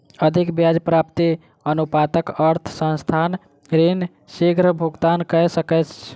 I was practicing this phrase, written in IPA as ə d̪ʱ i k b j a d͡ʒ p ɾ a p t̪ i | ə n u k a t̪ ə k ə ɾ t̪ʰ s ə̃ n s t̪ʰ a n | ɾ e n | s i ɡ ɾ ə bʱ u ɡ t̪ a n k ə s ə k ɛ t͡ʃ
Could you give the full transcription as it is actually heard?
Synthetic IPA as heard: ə d̪ʱ i k b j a d͡ʒ p ɾ a p t̪ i | ə n u p a t̪ ə k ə ɾ t̪ʰ s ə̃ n s t̪ʰ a n | ɾ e n | s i ɡ ɾ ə bʱ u ɡ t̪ a n k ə s ə k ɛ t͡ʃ

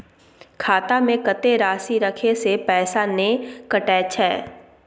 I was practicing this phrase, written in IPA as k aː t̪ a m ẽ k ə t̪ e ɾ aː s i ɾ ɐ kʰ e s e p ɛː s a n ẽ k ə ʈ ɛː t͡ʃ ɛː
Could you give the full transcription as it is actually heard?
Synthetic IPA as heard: kʰ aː t̪ a m ẽ k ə t̪ e ɾ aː s i ɾ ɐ kʰ e s e p ɛː s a n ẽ k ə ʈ ɛː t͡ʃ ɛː

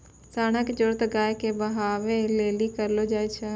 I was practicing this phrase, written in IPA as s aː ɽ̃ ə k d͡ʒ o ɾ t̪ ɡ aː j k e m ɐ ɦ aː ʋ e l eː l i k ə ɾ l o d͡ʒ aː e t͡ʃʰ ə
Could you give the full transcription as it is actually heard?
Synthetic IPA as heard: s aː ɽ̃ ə k d͡ʒ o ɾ t̪ ɡ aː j k e b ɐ ɦ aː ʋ e l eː l i k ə ɾ l o d͡ʒ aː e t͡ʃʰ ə

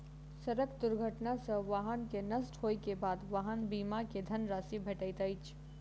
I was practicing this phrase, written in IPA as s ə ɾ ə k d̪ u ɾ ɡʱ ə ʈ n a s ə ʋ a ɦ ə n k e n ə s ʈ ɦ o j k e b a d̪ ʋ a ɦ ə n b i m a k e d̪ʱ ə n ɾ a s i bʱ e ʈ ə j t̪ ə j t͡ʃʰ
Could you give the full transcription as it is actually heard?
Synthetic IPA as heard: s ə ɾ ə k d̪ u ɾ ɡʱ ə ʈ n a s ə ʋ a ɦ ə n k e n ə s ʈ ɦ o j k e b a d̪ ʋ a ɦ ə n b i m a k e d̪ʱ ə n ɾ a s i bʱ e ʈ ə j t̪ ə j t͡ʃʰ

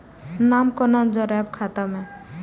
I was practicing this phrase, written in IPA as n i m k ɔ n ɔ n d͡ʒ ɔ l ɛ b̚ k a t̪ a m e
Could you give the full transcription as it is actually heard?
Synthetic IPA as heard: n a m k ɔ n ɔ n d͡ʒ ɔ ɾ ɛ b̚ kʰ a t̪ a m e

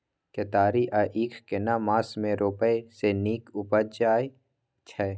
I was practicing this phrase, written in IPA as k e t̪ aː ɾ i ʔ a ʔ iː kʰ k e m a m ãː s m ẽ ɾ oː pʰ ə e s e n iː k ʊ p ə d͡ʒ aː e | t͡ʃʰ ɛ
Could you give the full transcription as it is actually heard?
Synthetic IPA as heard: k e t̪ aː ɾ i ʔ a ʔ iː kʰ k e n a m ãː s m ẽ ɾ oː p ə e s e n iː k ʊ p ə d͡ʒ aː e | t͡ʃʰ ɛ

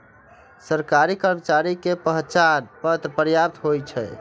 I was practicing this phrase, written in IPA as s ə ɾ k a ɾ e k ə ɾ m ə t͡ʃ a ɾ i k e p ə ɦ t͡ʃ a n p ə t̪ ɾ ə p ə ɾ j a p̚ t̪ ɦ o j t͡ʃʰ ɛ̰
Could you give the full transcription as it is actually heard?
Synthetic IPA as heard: s ə ɾ k a ɾ i k ə ɾ m ə t͡ʃ a ɾ i k e p ə ɦ t͡ʃ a n p ə t̪ ɾ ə p ə ɾ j a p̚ t̪ ɦ o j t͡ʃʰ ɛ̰

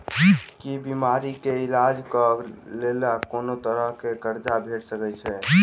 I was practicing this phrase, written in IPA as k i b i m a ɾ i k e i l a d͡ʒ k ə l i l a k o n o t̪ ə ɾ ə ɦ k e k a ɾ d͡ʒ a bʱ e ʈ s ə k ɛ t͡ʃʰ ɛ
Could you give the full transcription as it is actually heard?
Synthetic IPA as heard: k i b i m a ɾ i k e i l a d͡ʒ k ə l e l a k o n o t̪ ə ɾ ə ɦ k e k ə ɾ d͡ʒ a bʱ e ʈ s ə k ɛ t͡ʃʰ ɛ

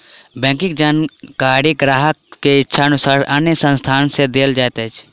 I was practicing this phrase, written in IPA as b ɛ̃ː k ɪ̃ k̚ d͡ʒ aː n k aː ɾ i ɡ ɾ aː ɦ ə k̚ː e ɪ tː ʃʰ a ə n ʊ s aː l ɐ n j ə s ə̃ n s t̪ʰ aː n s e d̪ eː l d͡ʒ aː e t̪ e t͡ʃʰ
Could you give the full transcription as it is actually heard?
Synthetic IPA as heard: b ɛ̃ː k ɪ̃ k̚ d͡ʒ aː n k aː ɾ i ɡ ɾ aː ɦ ə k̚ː e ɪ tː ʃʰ a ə n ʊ s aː ɾ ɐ n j ə s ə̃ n s t̪ʰ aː n s e d̪ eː l d͡ʒ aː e t̪ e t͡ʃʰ

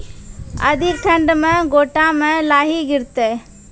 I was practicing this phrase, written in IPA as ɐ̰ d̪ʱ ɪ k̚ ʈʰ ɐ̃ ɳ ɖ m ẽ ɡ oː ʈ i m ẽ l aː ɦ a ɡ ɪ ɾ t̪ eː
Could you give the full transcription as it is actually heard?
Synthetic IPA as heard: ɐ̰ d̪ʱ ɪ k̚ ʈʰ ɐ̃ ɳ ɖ m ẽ ɡ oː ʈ a m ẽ l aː ɦ i ɡ ɪ ɾ t̪ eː

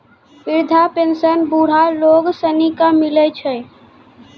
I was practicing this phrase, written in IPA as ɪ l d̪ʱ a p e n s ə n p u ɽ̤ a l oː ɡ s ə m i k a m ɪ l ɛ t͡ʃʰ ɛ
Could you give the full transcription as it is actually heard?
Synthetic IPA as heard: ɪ ɾ d̪ʱ a p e n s ə n b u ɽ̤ a l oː ɡ s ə n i k a m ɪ l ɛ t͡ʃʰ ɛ

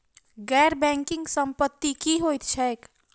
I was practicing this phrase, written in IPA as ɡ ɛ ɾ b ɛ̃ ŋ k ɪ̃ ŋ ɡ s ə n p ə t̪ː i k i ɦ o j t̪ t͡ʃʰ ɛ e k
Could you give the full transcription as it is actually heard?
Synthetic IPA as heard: ɡ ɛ ɾ b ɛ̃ ŋ k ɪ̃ ŋ ɡ s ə m p ə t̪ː i k i ɦ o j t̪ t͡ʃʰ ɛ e k

